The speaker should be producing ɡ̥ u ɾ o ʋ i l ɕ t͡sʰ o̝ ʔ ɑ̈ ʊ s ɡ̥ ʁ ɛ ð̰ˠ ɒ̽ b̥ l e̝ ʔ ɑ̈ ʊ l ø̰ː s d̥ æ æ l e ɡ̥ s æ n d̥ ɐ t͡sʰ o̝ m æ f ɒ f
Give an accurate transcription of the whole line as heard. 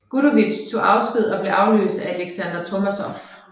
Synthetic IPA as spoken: ɡ̥ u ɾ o ʋ i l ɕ t͡sʰ o̝ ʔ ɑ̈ ʊ s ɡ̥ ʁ i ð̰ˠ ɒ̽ b̥ l e̝ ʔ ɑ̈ ʊ l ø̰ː s d̥ æ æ l e ɡ̥ s æ n d̥ ɐ t͡sʰ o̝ m æ s ɒ f